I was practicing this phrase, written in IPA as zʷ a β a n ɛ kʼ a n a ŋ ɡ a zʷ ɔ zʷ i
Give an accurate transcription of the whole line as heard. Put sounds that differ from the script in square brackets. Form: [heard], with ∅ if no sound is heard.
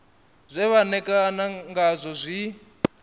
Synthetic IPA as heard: zʷ [ɛ] β a n ɛ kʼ a n a ŋ ɡ a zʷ ɔ zʷ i